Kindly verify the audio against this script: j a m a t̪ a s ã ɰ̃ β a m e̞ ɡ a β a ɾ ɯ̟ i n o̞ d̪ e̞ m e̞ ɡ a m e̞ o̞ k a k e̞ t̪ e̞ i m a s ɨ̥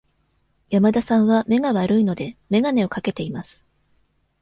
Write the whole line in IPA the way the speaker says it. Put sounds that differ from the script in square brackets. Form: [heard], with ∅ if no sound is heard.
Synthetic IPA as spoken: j a m a [d̪] a s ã ɰ̃ β a m e̞ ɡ a β a ɾ ɯ̟ i n o̞ d̪ e̞ m e̞ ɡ a [n] e̞ o̞ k a k e̞ t̪ e̞ i m a s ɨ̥